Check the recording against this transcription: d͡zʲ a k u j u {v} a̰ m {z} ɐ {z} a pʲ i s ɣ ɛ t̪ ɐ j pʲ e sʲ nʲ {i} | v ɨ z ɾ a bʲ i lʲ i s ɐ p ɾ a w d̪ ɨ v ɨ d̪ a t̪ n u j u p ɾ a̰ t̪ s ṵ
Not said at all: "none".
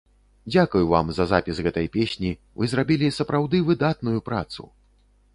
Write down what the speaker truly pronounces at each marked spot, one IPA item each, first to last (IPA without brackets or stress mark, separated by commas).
v, z, z, i